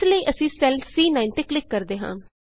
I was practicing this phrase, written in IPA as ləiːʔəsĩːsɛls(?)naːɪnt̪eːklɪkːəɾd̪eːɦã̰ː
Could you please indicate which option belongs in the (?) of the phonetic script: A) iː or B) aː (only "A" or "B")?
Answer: A